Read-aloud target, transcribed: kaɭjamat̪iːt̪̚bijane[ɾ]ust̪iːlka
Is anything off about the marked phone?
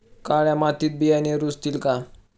no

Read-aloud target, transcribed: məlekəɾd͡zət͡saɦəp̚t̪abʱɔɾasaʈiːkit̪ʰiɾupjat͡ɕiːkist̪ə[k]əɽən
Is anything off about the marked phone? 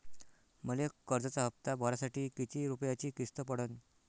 yes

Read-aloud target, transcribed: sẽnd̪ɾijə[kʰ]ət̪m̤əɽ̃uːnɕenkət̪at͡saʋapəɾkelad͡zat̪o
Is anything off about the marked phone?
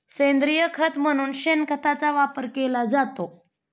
no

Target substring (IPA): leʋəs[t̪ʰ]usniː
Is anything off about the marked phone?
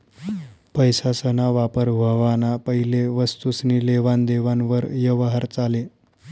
yes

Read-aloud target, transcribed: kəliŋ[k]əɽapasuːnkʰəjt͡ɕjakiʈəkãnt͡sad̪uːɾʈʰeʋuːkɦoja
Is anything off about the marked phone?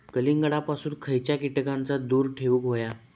yes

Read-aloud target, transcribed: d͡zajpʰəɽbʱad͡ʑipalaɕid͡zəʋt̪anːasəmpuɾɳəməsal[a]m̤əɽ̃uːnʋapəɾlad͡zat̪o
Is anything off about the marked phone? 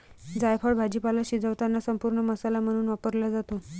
no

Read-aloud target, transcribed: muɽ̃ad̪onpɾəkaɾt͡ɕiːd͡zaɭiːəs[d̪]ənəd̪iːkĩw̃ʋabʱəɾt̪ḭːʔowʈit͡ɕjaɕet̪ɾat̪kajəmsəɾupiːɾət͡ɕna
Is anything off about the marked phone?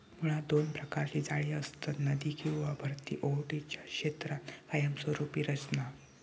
yes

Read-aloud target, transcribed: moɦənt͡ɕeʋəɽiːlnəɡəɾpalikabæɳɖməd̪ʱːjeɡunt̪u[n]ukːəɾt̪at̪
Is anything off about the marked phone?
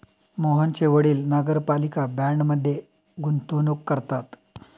no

